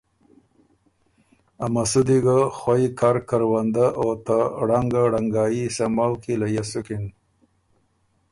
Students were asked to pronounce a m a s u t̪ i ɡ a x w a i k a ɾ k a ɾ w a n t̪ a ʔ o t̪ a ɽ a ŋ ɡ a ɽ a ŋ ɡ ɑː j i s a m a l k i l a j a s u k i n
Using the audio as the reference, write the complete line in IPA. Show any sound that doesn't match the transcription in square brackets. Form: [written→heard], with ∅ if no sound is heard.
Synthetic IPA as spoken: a m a s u [t̪→d̪] i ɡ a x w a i k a ɾ k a ɾ w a n [t̪→d̪] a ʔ o t̪ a ɽ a ŋ ɡ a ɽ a ŋ ɡ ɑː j i s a m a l k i l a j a s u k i n